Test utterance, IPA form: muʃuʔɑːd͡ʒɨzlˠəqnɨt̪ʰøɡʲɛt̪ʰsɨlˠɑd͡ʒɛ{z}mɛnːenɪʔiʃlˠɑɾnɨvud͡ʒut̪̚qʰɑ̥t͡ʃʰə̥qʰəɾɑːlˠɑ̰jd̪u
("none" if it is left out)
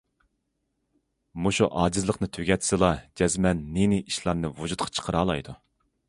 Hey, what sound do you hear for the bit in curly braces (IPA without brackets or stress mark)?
z